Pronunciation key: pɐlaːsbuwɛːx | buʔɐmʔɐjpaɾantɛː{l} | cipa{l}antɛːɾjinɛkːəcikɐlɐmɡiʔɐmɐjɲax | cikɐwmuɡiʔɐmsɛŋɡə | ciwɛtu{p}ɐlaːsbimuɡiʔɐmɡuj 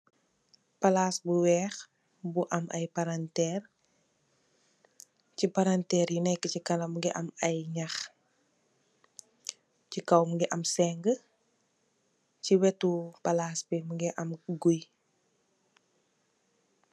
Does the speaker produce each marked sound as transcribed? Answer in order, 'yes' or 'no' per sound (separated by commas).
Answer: no, no, yes